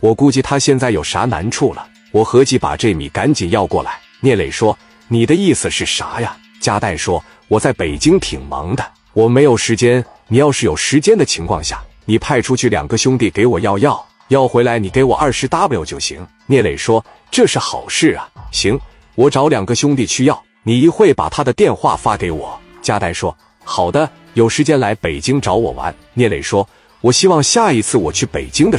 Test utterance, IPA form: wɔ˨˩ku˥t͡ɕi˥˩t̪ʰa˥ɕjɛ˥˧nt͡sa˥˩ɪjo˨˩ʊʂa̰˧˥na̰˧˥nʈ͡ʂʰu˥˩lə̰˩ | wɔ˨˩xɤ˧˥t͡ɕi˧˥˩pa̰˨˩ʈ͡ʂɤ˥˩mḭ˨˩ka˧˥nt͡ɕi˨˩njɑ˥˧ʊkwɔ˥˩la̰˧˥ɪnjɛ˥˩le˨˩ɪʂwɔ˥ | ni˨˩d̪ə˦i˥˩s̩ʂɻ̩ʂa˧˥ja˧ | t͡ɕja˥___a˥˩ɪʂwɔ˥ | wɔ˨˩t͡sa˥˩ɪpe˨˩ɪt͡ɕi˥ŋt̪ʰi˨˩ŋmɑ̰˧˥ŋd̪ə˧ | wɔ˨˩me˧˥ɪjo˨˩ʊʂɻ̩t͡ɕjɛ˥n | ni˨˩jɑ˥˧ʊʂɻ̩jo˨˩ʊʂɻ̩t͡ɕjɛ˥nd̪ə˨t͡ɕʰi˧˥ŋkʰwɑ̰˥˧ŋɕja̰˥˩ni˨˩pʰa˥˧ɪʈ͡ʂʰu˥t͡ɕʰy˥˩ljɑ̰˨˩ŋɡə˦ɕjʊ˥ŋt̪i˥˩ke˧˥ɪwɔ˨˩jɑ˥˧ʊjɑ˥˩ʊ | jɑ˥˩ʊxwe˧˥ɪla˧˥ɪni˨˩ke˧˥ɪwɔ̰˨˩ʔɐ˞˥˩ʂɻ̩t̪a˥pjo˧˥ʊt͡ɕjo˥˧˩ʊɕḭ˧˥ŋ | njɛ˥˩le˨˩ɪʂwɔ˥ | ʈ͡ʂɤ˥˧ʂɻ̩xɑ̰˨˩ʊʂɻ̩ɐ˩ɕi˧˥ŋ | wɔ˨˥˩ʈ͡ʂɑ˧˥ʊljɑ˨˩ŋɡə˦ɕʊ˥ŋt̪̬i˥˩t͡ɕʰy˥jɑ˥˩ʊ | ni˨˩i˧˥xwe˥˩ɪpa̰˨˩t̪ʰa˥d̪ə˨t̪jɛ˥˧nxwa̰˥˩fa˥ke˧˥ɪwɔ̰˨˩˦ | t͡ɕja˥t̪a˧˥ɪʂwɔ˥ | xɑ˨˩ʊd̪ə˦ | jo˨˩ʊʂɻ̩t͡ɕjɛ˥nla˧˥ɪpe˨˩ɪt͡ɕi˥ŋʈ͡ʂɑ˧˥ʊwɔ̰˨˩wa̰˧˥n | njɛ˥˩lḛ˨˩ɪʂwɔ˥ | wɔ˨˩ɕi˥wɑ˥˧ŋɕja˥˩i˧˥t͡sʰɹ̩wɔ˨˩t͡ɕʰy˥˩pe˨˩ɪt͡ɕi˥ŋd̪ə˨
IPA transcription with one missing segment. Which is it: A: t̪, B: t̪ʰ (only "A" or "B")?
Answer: A